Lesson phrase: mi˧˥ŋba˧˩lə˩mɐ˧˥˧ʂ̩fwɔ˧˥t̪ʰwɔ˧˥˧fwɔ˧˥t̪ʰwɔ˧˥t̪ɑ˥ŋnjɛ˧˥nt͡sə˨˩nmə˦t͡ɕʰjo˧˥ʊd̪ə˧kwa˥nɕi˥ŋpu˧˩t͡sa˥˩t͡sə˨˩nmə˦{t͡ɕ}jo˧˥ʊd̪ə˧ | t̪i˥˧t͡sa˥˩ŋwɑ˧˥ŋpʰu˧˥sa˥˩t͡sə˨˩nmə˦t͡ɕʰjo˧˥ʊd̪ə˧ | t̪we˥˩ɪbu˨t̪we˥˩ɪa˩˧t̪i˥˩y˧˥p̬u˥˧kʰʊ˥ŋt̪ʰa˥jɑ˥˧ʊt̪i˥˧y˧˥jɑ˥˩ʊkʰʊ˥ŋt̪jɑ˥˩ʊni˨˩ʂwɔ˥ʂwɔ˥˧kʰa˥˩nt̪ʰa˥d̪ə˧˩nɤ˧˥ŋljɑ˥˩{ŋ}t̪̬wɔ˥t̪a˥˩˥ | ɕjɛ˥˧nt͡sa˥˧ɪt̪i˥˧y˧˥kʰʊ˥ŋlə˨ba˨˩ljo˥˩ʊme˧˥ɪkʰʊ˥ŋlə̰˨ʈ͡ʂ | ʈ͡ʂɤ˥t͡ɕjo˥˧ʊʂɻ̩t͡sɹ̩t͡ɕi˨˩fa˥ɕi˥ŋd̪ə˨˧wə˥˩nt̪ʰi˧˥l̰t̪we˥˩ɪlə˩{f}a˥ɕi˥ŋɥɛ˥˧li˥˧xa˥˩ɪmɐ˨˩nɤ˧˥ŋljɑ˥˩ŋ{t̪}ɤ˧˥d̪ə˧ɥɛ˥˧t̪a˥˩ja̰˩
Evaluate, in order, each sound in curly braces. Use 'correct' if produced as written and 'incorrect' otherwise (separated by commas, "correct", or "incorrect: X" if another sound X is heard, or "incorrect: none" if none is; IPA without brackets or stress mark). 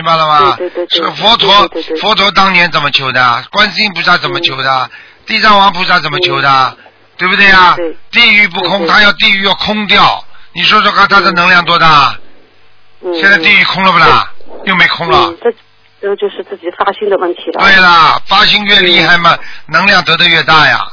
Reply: incorrect: t͡ɕʰ, correct, correct, correct